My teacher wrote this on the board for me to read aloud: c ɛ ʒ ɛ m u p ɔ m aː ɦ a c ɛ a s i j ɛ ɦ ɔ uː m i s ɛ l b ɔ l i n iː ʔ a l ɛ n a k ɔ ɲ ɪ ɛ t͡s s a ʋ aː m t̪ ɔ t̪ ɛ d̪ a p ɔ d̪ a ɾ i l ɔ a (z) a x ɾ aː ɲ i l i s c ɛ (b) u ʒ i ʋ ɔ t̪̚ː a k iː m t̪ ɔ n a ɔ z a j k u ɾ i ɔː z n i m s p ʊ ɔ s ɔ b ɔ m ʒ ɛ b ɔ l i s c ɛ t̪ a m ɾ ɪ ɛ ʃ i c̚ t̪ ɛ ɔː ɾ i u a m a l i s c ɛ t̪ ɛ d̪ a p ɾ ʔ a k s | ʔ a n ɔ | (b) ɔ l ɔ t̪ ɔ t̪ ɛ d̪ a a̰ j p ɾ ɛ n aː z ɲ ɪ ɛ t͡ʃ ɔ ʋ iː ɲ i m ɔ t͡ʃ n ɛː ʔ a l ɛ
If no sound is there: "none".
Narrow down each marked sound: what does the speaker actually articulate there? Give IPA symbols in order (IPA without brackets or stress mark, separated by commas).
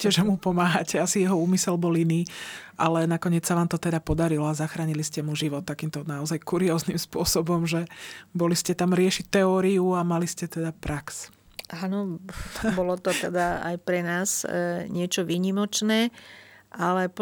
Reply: z, m, b